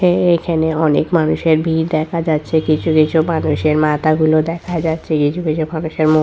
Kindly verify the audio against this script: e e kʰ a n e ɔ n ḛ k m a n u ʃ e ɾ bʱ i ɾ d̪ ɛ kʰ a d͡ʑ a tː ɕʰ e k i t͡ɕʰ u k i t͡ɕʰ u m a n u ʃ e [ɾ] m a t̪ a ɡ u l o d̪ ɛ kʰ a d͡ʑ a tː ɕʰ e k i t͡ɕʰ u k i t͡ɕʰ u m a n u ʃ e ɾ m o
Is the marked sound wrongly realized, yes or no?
no